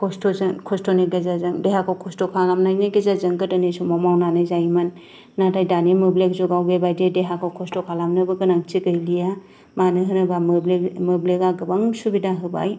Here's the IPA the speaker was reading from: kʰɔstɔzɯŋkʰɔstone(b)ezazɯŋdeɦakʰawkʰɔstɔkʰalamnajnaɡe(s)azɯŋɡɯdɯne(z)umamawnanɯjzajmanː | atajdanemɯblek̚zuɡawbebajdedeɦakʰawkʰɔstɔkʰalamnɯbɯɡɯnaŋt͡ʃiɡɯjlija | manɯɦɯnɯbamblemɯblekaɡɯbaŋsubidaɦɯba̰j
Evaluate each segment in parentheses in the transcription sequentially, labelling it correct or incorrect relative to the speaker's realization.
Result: incorrect, incorrect, incorrect

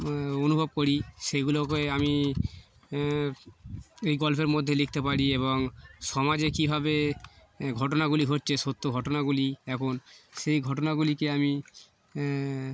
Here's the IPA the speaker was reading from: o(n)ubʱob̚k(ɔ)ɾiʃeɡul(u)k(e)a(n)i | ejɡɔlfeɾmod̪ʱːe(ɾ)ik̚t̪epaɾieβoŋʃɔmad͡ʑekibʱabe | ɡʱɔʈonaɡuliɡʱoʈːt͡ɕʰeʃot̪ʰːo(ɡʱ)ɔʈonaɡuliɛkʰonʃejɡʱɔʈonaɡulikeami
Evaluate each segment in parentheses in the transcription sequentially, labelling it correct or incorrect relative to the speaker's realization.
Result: correct, incorrect, incorrect, correct, incorrect, incorrect, correct

